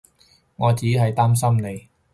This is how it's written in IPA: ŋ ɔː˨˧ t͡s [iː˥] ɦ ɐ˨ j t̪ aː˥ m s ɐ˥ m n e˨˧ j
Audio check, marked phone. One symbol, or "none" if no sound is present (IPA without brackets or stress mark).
iː˨˥